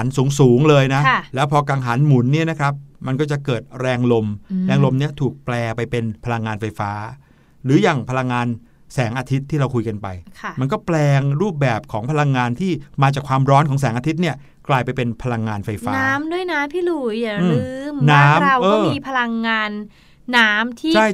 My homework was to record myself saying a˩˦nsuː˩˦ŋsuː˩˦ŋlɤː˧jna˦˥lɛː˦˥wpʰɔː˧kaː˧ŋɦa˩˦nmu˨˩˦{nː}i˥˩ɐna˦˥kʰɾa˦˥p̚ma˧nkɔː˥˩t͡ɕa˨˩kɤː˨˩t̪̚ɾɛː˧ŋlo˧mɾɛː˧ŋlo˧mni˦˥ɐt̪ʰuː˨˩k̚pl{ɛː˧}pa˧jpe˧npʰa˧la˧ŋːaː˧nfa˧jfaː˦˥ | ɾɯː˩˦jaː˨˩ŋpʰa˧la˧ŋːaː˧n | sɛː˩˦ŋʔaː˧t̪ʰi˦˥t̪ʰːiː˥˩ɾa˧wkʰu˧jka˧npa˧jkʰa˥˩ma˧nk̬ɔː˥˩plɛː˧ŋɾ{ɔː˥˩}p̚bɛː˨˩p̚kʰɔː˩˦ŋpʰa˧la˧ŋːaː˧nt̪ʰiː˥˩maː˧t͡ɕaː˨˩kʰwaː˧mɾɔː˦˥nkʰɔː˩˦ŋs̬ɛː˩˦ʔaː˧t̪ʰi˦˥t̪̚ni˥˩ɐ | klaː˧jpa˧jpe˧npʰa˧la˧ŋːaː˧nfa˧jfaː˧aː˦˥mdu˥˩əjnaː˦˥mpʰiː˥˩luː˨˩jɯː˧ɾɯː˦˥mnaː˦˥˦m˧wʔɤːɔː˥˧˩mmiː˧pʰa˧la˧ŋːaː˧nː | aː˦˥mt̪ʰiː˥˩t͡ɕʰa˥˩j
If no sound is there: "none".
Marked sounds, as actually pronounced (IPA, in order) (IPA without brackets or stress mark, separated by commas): nː, ɛː˧, uː˥˩